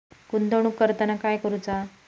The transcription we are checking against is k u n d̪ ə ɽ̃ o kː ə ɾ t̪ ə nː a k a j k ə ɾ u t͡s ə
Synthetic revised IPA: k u n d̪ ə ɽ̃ u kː ə ɾ t̪ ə n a k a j k ə ɾ u t͡s a